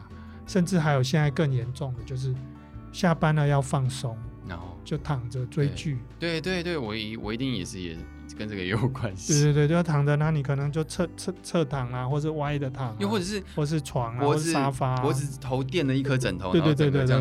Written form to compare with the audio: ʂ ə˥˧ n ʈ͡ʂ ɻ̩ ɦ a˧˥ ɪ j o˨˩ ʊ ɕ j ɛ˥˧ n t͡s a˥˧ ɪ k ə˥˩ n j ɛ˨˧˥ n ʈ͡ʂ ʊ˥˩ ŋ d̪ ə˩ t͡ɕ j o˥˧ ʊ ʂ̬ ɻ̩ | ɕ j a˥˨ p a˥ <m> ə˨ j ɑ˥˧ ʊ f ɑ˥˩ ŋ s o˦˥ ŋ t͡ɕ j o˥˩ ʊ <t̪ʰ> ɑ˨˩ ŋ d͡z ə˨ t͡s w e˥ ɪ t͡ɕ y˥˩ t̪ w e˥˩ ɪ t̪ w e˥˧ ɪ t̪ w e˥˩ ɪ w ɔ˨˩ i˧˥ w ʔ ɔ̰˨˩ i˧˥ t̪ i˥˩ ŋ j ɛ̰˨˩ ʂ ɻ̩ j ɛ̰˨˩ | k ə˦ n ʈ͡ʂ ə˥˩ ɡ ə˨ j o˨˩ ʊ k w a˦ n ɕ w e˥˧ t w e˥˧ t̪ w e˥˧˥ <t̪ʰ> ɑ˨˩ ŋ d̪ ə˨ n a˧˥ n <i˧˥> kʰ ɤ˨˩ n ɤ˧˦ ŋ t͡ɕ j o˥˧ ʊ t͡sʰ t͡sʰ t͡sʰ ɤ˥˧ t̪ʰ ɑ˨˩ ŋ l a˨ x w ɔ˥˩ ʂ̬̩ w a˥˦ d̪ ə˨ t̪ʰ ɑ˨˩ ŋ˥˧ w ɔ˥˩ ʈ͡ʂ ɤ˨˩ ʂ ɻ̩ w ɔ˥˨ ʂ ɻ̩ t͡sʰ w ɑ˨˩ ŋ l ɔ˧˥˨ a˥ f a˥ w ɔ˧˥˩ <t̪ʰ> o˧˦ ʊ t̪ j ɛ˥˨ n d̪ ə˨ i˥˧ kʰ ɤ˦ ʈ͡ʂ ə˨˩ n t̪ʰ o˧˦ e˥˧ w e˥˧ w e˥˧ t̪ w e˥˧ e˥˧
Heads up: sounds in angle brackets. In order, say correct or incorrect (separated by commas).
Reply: incorrect, correct, correct, incorrect, correct